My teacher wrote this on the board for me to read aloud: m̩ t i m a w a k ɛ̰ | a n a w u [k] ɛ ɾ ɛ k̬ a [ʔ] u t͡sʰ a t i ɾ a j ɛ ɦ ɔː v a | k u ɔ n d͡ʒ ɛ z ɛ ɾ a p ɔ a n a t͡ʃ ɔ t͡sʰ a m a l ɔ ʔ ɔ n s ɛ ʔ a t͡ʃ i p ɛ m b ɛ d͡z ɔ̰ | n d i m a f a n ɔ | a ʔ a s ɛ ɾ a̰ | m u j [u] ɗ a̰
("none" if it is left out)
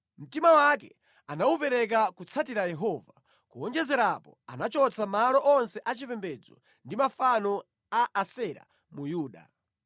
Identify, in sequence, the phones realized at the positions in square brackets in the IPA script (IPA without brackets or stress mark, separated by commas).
p, k, uː